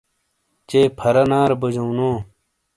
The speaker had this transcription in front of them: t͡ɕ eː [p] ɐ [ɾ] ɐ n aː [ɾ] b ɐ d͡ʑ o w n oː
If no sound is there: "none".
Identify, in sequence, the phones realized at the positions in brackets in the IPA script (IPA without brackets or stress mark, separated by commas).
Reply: pʰ, ɾ, ɾ